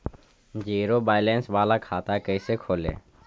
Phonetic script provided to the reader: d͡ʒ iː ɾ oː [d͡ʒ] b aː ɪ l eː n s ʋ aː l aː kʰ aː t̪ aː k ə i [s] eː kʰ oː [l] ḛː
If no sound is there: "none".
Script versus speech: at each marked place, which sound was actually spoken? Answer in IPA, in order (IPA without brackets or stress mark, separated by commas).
none, s, l